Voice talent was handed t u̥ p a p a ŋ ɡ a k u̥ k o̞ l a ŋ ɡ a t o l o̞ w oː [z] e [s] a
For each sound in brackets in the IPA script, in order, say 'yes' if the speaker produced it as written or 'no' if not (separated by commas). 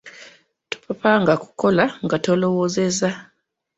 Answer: yes, no